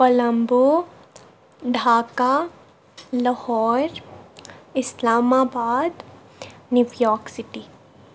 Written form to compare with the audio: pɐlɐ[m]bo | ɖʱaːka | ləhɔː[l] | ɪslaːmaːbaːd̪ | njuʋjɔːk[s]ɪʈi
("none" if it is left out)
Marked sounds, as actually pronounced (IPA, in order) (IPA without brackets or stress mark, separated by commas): m, ɾ, s